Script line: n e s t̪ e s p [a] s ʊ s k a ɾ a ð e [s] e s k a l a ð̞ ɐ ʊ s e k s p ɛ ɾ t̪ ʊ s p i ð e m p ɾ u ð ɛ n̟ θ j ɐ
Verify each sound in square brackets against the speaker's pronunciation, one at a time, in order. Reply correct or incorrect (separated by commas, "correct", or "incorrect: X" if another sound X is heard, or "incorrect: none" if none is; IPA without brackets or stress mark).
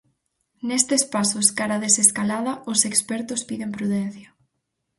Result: correct, correct